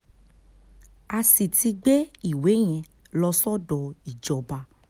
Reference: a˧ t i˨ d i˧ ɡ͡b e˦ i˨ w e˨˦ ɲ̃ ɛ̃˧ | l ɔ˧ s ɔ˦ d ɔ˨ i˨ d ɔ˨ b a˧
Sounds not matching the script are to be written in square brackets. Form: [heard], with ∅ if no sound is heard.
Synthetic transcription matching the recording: a˧ [s] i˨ [t] i˧ ɡ͡b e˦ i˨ w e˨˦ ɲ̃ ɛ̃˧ | l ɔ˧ s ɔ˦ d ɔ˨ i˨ [d͡ʒ] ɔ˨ b a˧